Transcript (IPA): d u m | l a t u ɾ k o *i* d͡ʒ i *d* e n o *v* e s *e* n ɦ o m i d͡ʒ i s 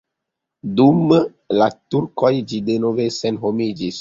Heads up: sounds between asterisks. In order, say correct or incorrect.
incorrect: j, correct, correct, correct

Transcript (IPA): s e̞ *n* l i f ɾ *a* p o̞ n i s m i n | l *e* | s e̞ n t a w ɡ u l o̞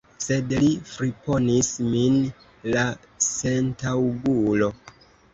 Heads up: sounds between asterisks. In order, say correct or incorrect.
incorrect: d, incorrect: i, incorrect: a

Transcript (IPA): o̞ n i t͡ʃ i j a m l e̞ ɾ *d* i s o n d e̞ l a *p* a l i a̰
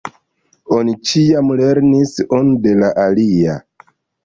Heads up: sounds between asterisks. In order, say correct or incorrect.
incorrect: n, incorrect: ʔ

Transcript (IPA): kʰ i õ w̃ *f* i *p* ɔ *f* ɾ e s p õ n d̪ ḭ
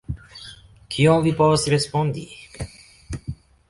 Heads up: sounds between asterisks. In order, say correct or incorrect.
incorrect: v, correct, incorrect: s

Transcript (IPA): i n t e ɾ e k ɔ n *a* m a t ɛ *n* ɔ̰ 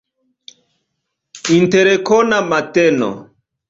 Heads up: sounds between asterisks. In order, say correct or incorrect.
correct, correct

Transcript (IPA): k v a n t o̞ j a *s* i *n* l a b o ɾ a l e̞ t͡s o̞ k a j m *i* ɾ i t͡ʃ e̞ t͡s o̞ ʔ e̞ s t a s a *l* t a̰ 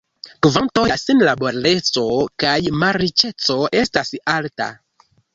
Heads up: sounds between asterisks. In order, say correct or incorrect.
correct, correct, incorrect: a, correct

